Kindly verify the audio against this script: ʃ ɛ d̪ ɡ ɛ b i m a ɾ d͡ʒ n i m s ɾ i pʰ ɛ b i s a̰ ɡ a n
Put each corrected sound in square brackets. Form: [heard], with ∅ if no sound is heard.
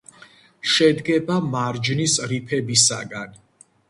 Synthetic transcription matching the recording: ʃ ɛ d̪ ɡ ɛ b [a] m a ɾ d͡ʒ n i [∅] s ɾ i pʰ ɛ b i s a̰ ɡ a n